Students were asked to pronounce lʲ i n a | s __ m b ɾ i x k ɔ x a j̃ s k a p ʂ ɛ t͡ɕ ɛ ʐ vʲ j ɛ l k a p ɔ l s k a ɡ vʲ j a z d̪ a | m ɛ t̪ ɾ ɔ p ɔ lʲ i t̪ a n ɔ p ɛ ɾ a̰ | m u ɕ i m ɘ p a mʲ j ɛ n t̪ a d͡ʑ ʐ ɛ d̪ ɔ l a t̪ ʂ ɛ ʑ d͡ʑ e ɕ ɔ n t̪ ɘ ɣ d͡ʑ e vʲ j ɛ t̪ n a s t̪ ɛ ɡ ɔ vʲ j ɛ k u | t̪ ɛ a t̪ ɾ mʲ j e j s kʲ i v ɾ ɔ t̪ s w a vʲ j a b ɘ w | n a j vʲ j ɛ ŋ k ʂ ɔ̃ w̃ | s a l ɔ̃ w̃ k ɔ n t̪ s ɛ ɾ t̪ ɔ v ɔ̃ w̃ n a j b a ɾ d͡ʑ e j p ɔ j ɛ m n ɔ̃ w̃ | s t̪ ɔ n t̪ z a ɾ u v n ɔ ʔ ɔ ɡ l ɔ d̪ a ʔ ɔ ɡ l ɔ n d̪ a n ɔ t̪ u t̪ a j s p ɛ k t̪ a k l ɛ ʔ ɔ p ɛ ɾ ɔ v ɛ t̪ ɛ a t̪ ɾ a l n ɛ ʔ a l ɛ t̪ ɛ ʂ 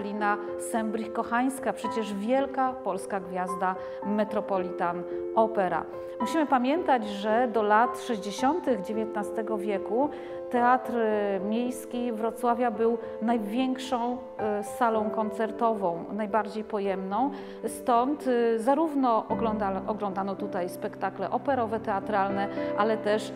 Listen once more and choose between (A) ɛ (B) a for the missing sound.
A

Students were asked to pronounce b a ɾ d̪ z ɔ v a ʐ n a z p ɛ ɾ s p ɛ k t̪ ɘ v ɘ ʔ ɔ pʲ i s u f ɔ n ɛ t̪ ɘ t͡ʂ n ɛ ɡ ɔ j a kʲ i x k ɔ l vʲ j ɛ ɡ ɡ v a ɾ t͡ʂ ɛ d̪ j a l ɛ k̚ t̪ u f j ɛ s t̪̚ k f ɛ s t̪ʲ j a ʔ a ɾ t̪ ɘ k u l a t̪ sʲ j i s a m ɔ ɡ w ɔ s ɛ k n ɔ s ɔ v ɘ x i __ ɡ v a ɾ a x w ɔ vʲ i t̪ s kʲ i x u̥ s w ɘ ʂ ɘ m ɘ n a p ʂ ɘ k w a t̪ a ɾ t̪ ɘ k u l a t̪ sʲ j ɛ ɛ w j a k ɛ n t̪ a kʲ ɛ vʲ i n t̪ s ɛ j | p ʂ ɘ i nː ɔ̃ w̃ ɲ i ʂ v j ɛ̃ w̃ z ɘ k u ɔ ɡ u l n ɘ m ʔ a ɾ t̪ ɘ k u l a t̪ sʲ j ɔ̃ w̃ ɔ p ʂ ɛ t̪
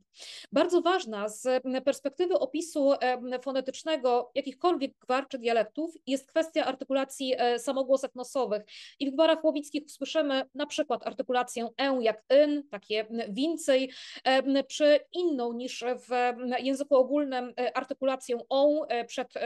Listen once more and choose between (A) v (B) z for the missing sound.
A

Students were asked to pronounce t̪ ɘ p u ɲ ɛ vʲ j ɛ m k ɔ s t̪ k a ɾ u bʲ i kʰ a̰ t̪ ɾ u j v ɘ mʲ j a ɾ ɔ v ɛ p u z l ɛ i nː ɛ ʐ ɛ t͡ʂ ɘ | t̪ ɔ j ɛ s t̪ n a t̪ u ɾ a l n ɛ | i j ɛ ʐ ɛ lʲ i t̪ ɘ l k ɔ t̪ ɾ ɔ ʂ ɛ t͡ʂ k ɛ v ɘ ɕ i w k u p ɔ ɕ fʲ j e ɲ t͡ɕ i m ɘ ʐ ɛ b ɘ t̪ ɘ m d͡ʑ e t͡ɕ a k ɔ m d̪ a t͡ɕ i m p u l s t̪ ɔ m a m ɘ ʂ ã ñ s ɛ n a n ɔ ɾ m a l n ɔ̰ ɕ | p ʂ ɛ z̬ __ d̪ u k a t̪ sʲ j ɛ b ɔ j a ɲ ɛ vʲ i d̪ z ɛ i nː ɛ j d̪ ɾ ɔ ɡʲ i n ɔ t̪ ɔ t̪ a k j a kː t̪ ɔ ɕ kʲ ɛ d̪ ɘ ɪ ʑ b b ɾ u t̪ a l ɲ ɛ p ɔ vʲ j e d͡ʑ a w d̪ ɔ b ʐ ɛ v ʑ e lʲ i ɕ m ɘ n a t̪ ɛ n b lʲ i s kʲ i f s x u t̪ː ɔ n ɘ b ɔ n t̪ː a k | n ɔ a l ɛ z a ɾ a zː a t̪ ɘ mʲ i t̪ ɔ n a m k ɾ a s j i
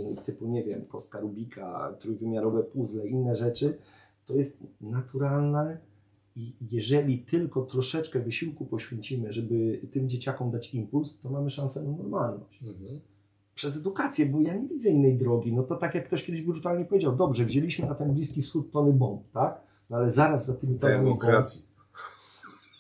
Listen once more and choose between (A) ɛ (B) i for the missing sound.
A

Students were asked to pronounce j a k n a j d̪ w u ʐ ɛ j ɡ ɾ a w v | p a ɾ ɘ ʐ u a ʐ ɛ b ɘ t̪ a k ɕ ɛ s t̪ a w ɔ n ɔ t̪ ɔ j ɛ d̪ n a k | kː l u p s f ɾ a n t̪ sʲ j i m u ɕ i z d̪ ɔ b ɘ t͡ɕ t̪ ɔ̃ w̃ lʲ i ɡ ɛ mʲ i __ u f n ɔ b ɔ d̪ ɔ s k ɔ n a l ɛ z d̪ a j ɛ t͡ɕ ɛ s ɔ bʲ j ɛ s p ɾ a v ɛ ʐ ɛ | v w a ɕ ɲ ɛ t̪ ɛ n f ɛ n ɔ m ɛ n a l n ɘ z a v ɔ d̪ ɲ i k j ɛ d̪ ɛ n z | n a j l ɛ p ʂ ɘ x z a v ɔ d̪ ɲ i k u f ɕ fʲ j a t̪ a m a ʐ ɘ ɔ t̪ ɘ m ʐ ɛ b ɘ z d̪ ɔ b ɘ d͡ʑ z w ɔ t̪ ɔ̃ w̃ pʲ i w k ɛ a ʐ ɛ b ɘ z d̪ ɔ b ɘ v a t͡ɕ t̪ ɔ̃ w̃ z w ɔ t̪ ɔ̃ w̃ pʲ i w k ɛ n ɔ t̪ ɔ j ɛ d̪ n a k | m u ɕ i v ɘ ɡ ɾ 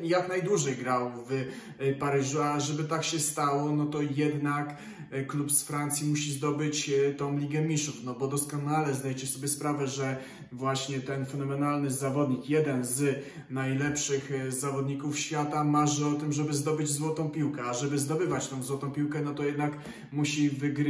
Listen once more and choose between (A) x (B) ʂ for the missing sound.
B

